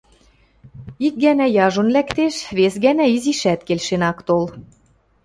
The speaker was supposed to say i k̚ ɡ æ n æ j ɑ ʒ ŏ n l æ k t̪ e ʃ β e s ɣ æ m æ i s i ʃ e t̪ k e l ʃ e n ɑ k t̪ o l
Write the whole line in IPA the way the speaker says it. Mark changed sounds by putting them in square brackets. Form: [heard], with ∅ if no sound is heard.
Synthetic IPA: i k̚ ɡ æ n æ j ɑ ʒ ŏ n l æ k t̪ e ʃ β e s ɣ æ [n] æ i [z] i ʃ [æ] t̪ k e l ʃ e n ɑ k t̪ o l